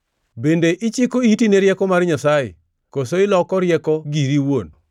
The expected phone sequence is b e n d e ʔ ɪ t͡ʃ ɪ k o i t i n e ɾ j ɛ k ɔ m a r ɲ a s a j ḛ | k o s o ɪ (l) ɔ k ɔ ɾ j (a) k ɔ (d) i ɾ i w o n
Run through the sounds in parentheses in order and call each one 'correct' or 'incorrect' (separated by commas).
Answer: correct, incorrect, incorrect